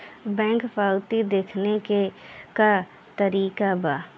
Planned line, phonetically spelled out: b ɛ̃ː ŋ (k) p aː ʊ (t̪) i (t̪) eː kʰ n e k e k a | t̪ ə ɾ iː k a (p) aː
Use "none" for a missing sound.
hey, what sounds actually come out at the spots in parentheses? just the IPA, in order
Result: k, t̪, d̪, b

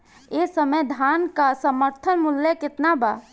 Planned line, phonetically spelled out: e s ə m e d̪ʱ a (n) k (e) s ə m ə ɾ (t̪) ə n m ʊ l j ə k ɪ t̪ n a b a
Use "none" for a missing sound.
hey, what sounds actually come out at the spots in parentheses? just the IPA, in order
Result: n, a, t̪ʰ

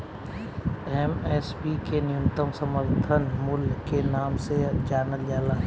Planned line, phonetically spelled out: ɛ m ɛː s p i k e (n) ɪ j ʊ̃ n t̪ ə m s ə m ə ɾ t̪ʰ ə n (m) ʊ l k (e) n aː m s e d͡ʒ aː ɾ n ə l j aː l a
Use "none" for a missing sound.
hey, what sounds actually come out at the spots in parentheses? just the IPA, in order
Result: n, m, e

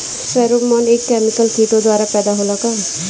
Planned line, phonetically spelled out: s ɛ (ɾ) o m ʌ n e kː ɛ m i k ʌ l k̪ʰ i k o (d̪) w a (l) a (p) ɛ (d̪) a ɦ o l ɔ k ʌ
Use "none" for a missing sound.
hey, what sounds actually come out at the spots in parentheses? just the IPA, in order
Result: ɾ, d̪, ɾ, p, d̪

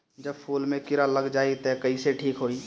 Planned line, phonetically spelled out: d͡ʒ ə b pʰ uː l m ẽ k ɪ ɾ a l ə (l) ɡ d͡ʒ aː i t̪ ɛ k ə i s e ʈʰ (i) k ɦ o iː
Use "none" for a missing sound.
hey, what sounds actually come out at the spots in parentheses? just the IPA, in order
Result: none, iː

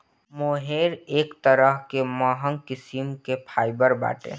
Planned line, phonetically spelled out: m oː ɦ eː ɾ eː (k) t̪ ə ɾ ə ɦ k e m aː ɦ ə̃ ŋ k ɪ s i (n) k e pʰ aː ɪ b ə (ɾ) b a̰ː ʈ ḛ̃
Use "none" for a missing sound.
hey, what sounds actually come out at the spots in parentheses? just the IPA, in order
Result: k, m, ɾ

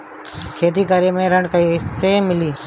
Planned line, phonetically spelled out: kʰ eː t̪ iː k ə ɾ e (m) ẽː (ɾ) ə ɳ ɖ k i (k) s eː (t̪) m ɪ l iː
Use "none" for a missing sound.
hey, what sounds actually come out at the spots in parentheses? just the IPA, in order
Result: m, ɾ, none, none

